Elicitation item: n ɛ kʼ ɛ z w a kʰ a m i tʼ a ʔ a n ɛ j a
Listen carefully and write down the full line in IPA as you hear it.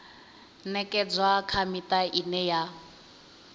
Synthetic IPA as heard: n ɛ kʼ ɛ d͡z w a kʰ a m i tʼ a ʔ i n ɛ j a